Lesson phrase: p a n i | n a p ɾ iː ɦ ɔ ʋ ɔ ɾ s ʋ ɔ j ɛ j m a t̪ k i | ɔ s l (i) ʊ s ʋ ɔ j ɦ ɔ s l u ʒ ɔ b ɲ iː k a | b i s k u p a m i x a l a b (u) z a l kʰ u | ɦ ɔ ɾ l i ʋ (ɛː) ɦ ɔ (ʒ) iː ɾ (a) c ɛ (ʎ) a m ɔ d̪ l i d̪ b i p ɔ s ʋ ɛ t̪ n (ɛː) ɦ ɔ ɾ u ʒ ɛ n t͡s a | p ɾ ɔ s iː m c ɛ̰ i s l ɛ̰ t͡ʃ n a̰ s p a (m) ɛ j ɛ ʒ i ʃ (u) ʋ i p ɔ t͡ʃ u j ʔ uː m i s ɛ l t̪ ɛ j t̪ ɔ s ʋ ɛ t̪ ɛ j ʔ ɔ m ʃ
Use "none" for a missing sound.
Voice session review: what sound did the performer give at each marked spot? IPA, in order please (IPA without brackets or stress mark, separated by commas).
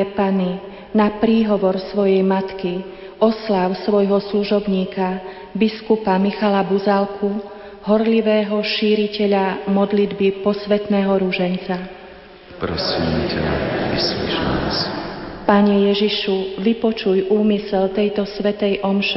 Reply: a, u, ɛː, ʃ, i, ʎ, ɛː, ɲ, u